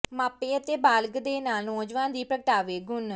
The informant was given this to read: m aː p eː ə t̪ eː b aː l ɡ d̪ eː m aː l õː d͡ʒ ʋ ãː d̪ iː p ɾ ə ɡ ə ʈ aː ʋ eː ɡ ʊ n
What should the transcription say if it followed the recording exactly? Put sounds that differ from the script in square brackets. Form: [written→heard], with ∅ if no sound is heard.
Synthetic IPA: m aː p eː ə t̪ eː b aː l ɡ d̪ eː [m→n] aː l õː d͡ʒ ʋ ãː d̪ iː p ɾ ə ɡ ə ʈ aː ʋ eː ɡ ʊ n